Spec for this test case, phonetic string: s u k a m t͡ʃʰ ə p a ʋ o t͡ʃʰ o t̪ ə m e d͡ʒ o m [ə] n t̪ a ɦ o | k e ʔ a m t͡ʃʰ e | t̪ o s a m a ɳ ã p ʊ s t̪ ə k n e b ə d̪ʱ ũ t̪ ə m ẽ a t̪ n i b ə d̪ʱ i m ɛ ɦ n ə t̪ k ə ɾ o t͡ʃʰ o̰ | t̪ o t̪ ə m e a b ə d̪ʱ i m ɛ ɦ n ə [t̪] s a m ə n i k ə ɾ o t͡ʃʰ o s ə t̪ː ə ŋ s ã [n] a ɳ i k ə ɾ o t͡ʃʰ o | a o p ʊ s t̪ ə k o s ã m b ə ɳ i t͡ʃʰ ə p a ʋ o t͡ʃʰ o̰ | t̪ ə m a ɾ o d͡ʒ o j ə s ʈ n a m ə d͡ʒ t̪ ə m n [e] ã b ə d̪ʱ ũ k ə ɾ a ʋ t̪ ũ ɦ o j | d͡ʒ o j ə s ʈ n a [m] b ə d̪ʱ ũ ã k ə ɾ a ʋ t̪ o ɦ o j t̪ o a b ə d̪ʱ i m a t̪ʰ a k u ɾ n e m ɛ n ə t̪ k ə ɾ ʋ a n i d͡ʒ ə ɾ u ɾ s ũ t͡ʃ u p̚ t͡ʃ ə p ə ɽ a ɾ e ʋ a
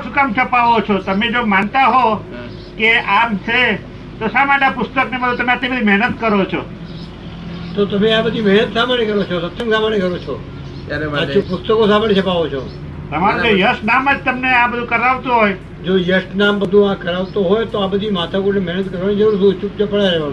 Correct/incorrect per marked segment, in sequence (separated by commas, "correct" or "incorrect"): incorrect, correct, incorrect, correct, correct